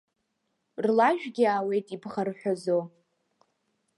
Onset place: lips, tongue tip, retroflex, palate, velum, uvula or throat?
tongue tip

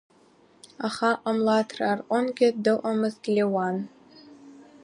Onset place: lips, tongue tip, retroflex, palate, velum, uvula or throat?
uvula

